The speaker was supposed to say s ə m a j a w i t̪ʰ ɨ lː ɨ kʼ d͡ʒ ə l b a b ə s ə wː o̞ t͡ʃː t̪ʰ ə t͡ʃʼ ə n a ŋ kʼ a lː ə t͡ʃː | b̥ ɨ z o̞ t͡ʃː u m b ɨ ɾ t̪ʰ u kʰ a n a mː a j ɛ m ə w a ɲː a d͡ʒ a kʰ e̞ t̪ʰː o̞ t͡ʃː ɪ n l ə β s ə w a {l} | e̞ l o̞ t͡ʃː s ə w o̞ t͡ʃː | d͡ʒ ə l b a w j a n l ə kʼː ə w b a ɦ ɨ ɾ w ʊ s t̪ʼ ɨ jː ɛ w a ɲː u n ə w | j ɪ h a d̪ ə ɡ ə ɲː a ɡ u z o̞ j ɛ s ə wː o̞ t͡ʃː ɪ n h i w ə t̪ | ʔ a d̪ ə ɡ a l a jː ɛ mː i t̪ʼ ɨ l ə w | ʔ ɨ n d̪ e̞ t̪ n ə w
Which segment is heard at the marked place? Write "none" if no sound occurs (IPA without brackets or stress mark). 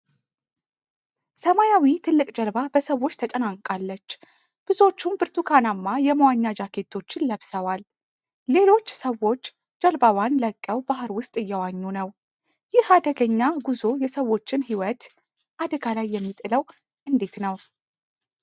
lː